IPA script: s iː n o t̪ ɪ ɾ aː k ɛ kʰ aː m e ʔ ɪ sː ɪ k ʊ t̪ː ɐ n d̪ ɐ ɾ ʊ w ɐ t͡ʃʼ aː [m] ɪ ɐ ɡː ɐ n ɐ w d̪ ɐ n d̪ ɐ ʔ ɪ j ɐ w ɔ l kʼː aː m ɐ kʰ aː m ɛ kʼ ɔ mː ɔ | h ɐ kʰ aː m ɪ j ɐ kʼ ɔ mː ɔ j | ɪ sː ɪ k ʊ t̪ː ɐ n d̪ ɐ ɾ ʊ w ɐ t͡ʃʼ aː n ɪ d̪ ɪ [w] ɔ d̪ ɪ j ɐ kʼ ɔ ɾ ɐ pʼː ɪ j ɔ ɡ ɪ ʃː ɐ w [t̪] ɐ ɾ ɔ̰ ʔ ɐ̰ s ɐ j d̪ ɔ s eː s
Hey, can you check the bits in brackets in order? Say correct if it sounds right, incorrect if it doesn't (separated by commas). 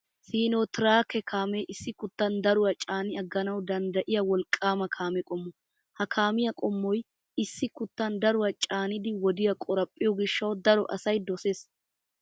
incorrect, correct, incorrect